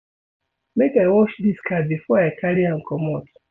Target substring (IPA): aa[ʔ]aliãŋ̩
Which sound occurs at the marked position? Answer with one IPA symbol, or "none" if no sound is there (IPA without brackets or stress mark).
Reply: k